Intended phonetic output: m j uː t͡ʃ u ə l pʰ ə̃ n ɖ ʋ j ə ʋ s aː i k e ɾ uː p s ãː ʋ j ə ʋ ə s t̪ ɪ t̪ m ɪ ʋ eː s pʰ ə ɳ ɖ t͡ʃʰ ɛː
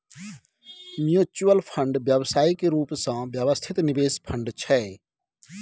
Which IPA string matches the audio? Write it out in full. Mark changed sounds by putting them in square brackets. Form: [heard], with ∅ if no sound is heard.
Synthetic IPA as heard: m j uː t͡ʃ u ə l pʰ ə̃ [ɳ] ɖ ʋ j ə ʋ s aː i k e ɾ uː p s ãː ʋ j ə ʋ ə s [t̪ʰ] ɪ t̪ [n] ɪ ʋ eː s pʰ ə ɳ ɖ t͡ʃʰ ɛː